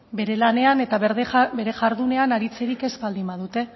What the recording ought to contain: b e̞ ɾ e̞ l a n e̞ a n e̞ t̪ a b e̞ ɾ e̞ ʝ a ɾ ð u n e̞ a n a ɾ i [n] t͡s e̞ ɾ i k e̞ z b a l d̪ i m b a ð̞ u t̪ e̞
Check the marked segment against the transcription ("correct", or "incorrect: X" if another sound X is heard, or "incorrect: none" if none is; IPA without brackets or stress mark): incorrect: none